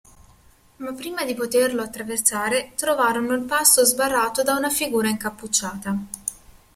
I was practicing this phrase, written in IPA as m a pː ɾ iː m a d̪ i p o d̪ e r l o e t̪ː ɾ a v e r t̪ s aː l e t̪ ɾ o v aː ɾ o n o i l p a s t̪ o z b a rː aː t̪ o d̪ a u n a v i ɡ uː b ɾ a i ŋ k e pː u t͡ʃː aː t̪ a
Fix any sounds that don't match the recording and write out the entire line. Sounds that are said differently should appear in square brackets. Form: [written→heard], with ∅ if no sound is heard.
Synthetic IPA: m a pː ɾ iː m a d̪ i p o [d̪→t̪] e r l o [e→a] t̪ː ɾ a v e r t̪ s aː [l→ɾ] e t̪ ɾ o v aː ɾ o n o i l p a s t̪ o z b a rː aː t̪ o d̪ a u n a [v→f] i ɡ uː [b→∅] ɾ a i ŋ k [e→a] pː u t͡ʃː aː t̪ a